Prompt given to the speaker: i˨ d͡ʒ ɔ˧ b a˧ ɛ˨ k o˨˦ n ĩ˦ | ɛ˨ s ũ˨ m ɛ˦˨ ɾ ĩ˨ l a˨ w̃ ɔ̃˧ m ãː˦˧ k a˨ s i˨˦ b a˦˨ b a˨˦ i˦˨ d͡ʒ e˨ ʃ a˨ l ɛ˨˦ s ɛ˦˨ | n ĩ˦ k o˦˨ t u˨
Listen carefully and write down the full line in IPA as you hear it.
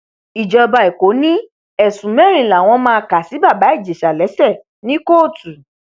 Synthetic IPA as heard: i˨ d͡ʒ ɔ˧ b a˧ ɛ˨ k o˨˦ n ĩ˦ | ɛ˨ s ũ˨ m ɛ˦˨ ɾ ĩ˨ l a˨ w̃ ɔ̃˧ m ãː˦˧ k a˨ s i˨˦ b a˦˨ b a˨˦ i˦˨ d͡ʒ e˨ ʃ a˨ l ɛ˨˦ s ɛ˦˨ | n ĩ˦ k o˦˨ t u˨